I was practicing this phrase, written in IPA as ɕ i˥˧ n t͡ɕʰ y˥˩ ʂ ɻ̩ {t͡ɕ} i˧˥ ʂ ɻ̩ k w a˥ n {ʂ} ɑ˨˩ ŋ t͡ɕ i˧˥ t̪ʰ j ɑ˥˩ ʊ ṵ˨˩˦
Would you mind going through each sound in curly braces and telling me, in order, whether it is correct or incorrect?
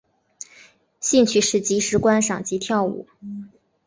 correct, correct

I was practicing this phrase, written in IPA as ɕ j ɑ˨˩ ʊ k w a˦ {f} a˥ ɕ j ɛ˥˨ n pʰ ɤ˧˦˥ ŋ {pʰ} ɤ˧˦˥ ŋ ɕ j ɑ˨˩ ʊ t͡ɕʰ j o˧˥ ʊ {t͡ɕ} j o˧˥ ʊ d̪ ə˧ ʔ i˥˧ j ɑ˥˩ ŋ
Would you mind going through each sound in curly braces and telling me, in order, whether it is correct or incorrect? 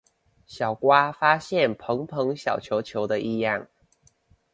correct, correct, incorrect: t͡ɕʰ

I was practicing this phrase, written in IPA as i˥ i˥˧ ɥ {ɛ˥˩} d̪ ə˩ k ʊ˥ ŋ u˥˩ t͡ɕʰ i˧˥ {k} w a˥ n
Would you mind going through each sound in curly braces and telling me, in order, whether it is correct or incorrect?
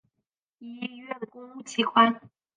correct, incorrect: kʰ

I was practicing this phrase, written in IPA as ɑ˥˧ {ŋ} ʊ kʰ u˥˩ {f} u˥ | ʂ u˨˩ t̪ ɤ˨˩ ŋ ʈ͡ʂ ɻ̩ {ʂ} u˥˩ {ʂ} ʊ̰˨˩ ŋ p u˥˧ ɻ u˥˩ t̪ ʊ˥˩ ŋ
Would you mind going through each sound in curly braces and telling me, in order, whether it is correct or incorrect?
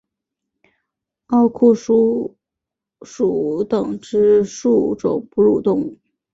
incorrect: none, incorrect: ʂ, correct, incorrect: ʈ͡ʂ

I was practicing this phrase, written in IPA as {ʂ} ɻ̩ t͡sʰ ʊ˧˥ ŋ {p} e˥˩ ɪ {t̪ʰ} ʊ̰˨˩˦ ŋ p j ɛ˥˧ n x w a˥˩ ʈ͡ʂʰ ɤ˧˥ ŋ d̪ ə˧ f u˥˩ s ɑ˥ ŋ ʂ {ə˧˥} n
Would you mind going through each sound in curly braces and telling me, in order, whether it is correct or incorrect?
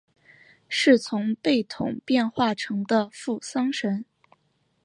correct, correct, correct, correct

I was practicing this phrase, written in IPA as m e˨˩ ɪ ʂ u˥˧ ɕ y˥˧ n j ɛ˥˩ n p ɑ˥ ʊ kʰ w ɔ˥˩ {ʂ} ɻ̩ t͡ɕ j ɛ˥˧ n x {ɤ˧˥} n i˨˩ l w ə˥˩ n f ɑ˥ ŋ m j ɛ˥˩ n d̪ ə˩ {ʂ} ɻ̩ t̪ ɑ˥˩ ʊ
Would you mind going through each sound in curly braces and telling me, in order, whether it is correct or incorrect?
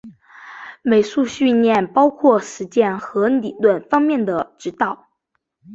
correct, correct, incorrect: ʈ͡ʂ

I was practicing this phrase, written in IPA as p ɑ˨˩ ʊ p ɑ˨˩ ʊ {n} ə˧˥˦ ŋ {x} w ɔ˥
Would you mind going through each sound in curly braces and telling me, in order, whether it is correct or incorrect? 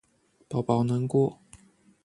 correct, incorrect: k

